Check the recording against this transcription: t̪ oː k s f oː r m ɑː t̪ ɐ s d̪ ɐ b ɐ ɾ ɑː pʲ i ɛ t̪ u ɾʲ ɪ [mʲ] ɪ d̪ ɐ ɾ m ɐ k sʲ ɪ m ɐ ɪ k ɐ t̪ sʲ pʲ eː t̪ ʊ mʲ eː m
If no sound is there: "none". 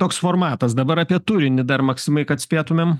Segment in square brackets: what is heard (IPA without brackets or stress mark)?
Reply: nʲ